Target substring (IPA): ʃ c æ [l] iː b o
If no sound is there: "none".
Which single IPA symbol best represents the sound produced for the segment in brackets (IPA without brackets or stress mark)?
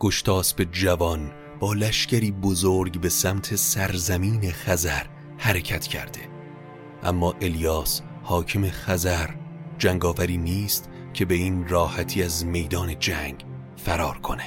ɾ